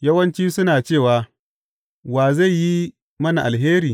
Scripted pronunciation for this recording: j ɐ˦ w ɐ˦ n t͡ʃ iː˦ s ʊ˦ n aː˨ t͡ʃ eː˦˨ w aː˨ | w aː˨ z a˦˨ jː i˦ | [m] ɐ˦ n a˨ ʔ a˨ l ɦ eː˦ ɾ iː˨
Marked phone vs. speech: correct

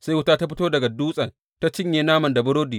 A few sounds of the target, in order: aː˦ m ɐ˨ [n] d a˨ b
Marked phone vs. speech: correct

